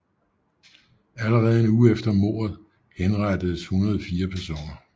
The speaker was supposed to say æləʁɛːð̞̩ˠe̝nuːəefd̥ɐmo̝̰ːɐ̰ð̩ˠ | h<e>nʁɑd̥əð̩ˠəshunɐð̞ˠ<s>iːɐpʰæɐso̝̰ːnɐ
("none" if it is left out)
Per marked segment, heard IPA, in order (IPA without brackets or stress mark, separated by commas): e, f